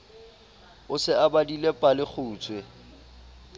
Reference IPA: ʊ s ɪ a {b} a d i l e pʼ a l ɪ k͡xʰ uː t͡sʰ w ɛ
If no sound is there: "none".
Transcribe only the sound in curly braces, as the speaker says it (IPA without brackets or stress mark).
b